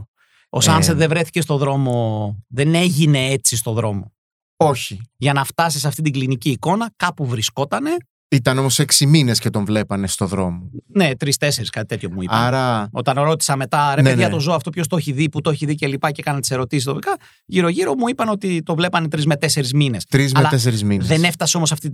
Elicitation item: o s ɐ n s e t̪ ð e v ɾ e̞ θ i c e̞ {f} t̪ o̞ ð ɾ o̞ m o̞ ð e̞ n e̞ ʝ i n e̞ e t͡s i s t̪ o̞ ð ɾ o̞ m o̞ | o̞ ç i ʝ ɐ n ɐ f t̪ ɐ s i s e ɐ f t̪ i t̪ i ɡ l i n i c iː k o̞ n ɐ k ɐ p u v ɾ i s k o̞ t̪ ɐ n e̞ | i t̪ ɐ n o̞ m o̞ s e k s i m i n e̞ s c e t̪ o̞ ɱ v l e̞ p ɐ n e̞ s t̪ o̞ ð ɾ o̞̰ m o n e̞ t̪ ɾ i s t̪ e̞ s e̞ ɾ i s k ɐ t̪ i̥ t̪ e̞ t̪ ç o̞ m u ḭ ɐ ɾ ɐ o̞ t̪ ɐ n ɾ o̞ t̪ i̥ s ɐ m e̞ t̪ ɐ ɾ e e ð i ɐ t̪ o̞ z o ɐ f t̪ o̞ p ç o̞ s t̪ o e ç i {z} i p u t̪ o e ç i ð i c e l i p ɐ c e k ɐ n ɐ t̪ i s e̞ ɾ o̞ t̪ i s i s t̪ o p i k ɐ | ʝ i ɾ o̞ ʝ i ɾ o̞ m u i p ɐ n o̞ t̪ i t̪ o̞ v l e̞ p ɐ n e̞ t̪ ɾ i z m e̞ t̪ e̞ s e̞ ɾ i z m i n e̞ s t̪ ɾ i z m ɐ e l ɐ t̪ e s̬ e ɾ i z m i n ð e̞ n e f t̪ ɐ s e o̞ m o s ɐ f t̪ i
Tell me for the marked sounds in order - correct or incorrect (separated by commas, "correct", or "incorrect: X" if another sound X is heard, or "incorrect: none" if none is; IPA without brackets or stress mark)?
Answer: incorrect: s, incorrect: ð